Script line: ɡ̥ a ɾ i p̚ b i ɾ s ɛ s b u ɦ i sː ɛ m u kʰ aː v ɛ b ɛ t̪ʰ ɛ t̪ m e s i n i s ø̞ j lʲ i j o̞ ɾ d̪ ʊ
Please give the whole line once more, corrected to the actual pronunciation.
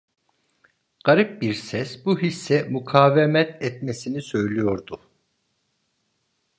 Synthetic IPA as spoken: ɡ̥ a ɾ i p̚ b i ɾ s ɛ s b u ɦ i sː ɛ m u kʰ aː v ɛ m ɛ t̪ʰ ɛ t̪ m e s i n i s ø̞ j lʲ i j o̞ ɾ d̪ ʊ